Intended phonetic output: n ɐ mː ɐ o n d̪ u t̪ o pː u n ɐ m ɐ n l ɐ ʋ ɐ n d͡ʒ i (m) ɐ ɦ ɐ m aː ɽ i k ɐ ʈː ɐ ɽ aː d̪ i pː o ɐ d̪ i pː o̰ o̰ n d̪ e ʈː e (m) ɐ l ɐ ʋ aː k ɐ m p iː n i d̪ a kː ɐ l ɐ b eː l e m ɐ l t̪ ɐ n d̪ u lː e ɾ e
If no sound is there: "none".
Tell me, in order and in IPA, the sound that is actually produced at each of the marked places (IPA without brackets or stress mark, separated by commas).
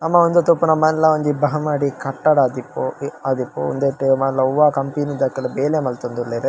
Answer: b, m